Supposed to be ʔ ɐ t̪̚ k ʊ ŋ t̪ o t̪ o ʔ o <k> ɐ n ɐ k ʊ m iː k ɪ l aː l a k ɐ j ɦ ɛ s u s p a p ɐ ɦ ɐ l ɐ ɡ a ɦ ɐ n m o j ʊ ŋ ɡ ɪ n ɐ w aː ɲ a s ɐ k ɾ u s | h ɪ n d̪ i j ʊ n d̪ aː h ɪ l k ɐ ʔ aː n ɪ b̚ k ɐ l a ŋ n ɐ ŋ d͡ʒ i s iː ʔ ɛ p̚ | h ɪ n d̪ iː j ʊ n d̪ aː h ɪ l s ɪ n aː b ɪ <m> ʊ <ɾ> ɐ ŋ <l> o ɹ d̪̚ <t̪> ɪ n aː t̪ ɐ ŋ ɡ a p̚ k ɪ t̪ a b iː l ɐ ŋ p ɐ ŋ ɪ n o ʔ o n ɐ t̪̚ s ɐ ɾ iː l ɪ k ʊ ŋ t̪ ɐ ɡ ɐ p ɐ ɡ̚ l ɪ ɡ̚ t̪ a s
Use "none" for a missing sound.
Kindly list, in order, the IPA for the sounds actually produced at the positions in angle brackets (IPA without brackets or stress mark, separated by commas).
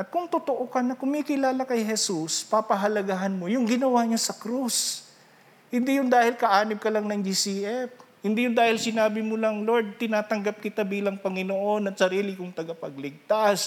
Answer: k, m, l, l, t̪